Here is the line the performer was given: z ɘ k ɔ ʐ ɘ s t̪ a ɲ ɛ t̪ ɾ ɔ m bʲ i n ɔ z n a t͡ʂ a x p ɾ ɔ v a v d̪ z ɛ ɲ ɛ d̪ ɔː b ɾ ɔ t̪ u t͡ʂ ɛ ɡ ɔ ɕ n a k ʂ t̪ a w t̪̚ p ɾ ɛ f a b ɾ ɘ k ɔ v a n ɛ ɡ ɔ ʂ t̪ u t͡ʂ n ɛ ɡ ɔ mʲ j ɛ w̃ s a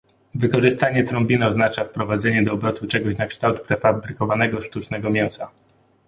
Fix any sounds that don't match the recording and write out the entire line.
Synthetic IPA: v ɘ k ɔ ʐ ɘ s t̪ a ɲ ɛ t̪ ɾ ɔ m bʲ i n ɔ z n a t͡ʂ a f p ɾ ɔ v a d̪ z ɛ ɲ ɛ d̪ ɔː b ɾ ɔ t̪ u t͡ʂ ɛ ɡ ɔ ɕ n a k ʂ t̪ a w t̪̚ p ɾ ɛ f a b ɾ ɘ k ɔ v a n ɛ ɡ ɔ ʂ t̪ u t͡ʂ n ɛ ɡ ɔ mʲ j ɛ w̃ s a